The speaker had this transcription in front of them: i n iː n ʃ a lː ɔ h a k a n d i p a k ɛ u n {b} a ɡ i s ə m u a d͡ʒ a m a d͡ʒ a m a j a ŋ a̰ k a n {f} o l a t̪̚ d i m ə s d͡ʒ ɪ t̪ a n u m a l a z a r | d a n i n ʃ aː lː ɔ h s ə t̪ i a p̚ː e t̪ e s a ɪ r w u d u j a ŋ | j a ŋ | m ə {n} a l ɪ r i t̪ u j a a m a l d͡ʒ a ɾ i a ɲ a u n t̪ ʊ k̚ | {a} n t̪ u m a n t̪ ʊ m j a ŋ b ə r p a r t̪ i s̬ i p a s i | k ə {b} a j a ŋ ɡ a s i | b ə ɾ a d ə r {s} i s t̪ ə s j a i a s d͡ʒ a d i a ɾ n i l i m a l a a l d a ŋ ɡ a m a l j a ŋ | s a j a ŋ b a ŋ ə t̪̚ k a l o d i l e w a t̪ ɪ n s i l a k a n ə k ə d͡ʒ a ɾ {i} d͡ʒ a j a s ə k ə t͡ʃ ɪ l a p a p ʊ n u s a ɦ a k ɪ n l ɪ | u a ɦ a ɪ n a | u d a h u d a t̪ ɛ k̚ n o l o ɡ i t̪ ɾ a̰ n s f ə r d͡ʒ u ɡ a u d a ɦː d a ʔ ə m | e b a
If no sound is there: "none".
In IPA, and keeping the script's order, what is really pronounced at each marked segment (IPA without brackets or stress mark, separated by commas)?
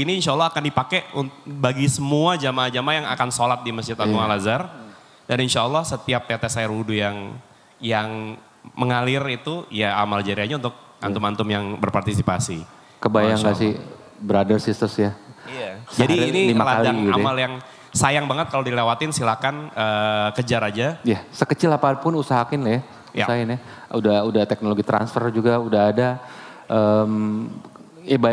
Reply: b, s, ŋ, a, b, s, a